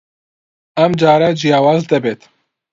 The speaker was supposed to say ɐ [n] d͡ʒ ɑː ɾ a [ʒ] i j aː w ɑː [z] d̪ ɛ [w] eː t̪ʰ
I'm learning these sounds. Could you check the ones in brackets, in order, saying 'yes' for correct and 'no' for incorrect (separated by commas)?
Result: no, no, yes, no